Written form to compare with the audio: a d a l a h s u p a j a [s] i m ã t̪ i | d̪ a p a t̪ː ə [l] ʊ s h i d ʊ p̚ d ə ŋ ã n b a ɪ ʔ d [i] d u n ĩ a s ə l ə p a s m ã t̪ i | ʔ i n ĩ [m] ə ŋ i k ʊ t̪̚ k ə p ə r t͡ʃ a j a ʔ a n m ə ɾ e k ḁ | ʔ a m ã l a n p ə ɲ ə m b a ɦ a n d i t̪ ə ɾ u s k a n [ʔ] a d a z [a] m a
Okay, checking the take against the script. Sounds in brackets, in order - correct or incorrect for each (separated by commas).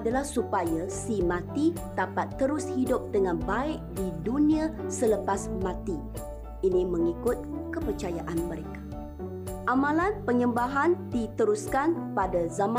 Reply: correct, incorrect, correct, correct, incorrect, correct